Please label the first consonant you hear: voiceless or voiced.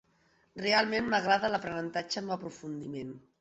voiced